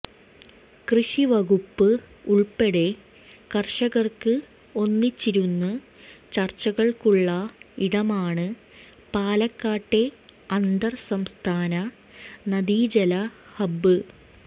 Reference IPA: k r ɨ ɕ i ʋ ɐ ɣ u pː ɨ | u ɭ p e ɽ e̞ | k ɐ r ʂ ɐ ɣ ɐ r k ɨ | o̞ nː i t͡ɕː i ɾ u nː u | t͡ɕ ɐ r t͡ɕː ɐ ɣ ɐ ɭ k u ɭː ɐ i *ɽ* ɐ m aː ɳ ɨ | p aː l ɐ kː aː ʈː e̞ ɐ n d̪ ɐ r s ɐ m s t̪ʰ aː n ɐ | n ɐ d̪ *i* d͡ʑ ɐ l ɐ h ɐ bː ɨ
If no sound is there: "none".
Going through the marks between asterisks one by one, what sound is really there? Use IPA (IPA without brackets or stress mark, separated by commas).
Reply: ɽ, iː